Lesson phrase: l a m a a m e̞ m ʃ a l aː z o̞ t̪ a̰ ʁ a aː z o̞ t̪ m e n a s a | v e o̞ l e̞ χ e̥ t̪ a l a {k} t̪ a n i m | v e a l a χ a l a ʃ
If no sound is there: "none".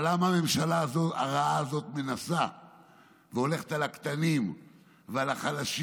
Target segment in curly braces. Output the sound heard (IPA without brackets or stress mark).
k